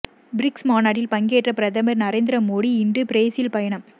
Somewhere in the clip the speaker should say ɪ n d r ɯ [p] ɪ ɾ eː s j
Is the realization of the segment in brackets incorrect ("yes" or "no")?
no